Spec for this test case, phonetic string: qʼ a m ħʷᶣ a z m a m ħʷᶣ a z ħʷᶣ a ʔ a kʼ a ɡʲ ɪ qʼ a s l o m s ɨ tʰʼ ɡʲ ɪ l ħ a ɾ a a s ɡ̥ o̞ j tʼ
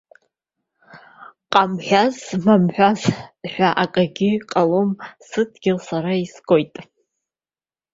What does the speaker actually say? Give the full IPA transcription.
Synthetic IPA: qʼ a m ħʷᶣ a z m a m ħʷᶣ a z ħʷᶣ a ʔ a kʼ a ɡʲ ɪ qʼ a l o m s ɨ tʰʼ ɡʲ ɪ l s a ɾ a i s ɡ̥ o̞ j tʼ

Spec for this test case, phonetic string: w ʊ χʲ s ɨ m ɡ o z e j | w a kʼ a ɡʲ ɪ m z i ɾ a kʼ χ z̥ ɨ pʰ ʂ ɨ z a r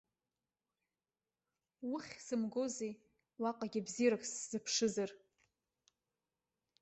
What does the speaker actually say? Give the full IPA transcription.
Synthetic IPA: w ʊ χʲ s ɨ m ɡ o z e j | w a qʼ a ɡʲ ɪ b z i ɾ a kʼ s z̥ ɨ pʰ ʂ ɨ z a r

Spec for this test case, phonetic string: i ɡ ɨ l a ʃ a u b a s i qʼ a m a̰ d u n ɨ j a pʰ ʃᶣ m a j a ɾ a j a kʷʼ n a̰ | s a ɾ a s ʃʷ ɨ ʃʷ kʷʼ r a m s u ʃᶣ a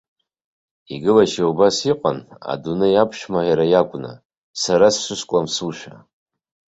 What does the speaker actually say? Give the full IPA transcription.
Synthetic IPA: i ɡ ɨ l a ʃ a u b a s i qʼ a n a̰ d u n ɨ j a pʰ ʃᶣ m a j a ɾ a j a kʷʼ n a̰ | s a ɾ a s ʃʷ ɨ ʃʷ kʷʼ l a m s u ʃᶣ a

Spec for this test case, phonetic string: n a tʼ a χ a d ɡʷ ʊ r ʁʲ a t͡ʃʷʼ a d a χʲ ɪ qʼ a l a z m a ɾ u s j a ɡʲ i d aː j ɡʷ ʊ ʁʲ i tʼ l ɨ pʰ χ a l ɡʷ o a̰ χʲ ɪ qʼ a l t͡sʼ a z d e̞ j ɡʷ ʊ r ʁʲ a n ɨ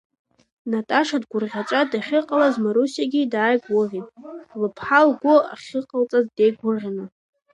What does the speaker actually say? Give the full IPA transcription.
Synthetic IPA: n a tʼ a ʂ a d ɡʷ ʊ r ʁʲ a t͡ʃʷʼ a d a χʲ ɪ qʼ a l a z m a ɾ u s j a ɡʲ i d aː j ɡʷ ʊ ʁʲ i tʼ l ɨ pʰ ħ a l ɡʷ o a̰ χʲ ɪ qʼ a l t͡sʼ a z d e̞ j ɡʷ ʊ r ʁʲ a n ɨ

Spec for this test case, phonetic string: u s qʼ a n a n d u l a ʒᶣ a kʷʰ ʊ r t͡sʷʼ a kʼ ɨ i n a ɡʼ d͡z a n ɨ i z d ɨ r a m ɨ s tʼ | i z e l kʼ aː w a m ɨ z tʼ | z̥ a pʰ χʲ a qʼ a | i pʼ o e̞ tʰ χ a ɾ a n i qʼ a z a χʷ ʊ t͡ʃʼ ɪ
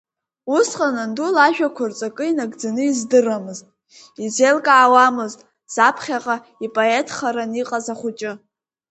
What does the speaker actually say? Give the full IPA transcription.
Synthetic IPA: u s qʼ a n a n d u l a ʒᶣ a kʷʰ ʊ r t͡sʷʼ a kʼ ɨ i n a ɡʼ d͡z a n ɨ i z d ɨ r a m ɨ z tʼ | i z e l kʼ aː w a m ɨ z tʼ | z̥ a pʰ χʲ a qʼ a | i pʼ o e̞ tʰ χ a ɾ a n i qʼ a z a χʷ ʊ t͡ʃʼ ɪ

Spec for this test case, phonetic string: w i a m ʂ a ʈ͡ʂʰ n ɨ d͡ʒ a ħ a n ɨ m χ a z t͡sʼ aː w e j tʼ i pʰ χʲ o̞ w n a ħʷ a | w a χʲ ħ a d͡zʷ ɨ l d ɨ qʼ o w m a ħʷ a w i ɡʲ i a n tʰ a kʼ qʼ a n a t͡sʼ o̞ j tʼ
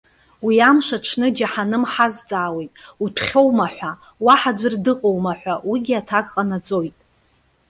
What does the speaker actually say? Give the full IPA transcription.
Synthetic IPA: w i a m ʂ a ʈ͡ʂʰ n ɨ d͡ʒ a ħ a n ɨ m ħ a z t͡sʼ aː w e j tʼ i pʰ χʲ o̞ w m a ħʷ a | w a ħ a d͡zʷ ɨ r d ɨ qʼ o w m a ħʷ a w i ɡʲ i a tʰ a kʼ qʼ a n a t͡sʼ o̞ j tʼ

